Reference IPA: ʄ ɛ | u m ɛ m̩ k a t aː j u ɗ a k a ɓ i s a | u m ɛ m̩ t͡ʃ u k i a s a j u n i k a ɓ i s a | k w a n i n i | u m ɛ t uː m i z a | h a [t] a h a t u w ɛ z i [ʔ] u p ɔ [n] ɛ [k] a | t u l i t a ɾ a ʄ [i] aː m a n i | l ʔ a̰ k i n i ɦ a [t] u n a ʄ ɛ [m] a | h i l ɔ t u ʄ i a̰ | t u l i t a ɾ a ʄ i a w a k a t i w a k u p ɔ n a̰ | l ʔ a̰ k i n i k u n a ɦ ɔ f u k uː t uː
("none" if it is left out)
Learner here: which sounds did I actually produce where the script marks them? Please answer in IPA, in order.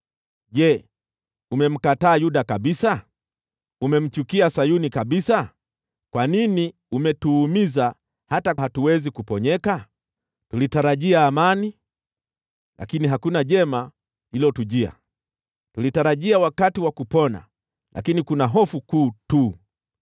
t, k, ɲ, k, i, k, m

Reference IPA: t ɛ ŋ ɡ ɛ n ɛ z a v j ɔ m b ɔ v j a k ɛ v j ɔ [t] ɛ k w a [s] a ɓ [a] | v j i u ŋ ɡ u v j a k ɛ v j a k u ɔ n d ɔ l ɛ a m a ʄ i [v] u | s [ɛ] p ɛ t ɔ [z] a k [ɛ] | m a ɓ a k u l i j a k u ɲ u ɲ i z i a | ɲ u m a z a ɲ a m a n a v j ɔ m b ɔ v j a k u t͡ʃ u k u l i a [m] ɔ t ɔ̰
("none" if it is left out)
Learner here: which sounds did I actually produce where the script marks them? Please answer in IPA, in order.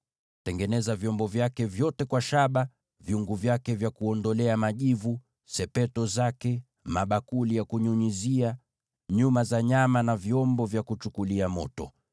t, ʃ, a, v, ɛ, z, ɛ, m

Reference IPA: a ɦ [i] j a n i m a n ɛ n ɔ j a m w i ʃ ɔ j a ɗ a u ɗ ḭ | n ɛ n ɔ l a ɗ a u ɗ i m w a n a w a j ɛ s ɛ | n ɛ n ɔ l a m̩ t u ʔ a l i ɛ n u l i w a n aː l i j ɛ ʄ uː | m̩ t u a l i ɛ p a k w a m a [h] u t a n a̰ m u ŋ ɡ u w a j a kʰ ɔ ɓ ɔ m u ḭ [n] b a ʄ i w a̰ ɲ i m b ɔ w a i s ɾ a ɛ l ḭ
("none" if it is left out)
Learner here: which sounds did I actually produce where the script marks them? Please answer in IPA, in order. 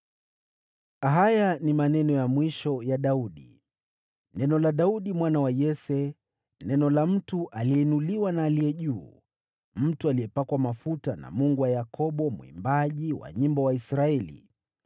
a, f, m

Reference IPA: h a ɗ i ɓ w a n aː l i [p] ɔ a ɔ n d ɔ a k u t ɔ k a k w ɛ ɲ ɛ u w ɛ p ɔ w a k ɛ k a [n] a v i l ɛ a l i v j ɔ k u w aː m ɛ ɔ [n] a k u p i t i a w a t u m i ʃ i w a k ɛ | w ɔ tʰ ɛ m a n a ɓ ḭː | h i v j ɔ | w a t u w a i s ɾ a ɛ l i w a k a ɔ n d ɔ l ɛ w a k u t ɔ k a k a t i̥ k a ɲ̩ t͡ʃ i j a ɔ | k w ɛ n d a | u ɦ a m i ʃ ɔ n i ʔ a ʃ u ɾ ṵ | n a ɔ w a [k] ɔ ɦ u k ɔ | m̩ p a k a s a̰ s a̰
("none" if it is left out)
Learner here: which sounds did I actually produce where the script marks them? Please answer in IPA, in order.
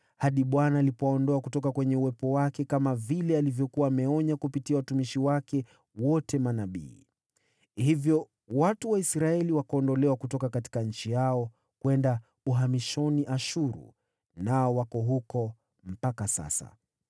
p, m, ɲ, k

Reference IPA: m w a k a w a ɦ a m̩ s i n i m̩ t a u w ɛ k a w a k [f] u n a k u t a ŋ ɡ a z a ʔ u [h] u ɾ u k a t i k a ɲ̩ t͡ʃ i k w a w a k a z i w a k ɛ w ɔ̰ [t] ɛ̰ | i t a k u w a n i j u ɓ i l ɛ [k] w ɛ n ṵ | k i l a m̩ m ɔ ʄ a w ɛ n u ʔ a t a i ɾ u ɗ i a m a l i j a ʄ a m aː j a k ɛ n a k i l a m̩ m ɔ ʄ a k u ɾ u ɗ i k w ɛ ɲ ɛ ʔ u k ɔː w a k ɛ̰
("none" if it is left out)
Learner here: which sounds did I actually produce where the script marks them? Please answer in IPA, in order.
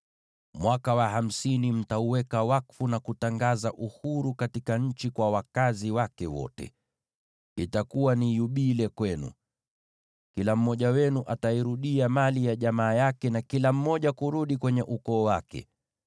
f, h, t, k

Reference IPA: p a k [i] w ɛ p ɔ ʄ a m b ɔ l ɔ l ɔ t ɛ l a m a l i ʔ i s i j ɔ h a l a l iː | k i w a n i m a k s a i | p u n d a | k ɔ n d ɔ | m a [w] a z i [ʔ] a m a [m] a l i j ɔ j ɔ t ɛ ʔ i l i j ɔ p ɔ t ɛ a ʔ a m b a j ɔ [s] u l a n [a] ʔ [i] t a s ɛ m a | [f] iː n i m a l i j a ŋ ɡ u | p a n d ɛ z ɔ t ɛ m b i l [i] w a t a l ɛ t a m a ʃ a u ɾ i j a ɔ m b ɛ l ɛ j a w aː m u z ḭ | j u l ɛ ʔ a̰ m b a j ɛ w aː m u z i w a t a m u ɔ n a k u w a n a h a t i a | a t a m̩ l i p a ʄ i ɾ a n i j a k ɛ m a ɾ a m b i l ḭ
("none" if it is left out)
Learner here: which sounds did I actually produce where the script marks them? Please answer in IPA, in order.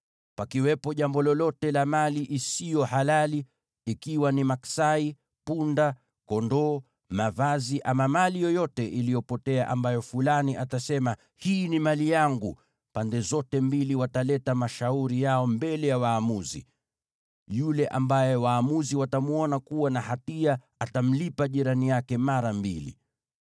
i, v, ʔ, m, f, i, a, h, i

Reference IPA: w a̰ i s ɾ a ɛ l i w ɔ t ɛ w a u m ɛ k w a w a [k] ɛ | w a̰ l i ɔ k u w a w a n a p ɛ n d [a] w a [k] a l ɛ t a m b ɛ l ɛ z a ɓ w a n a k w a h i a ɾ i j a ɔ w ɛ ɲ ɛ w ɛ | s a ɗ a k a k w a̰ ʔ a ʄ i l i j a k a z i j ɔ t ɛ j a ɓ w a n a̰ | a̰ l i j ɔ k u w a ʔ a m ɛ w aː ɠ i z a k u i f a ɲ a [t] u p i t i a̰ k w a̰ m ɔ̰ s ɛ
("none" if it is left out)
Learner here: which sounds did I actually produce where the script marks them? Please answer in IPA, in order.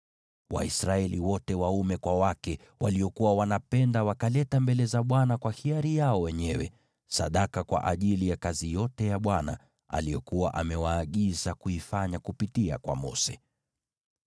k, a, k, k

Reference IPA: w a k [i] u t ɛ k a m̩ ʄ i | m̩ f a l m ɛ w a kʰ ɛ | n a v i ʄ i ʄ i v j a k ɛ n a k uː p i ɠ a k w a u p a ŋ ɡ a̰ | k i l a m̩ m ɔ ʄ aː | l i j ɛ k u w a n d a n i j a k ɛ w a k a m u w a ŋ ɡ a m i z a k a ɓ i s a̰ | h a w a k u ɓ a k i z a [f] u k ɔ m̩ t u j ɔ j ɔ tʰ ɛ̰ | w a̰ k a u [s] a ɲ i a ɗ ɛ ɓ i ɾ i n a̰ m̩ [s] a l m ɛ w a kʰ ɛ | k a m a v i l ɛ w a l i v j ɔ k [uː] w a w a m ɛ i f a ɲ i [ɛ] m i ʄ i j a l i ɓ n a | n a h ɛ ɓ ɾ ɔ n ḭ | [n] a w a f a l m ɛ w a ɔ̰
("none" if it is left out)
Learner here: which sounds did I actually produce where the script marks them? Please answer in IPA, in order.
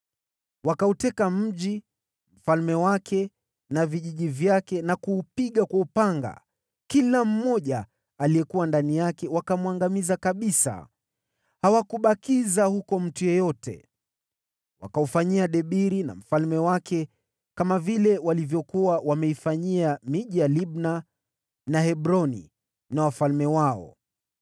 a, h, f, f, u, a, n

